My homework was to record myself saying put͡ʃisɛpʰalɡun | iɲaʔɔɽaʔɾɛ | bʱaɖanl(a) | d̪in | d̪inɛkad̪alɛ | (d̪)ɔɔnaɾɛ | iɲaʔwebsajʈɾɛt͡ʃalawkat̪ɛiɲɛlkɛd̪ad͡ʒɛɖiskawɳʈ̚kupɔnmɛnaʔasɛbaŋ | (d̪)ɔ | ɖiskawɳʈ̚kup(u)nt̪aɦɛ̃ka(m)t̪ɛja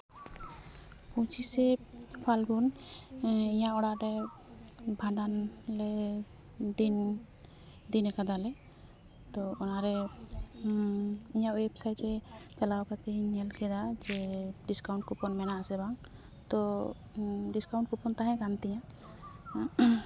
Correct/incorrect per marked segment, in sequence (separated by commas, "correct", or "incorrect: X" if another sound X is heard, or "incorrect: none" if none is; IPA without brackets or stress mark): incorrect: ɛ, incorrect: t̪, incorrect: t̪, incorrect: ɔ, incorrect: n